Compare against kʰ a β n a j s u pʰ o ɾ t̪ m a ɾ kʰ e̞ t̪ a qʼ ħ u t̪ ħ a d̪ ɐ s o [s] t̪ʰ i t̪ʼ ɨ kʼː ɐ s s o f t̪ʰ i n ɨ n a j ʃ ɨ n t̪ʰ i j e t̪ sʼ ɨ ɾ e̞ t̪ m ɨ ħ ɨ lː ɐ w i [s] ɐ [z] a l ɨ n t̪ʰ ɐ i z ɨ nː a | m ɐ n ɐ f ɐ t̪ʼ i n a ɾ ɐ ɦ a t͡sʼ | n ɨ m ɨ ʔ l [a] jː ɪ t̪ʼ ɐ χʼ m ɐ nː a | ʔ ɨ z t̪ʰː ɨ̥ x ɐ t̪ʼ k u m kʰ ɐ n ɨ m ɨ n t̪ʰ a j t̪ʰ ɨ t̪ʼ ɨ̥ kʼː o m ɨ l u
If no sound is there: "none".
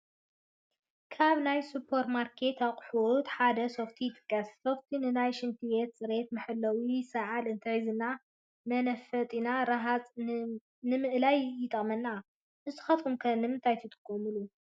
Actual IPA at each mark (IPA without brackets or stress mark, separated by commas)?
f, s, ʕ, a